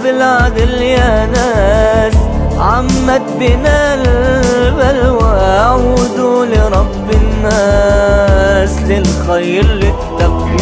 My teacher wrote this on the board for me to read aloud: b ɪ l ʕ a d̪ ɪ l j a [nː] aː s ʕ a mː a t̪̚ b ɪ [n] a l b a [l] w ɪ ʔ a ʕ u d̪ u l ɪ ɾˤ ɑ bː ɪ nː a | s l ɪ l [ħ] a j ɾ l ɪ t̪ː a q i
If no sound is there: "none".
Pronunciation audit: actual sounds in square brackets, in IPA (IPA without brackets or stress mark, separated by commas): n, n, l, x